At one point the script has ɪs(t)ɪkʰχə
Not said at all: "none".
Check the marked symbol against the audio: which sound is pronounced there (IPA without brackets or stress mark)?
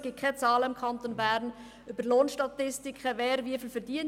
t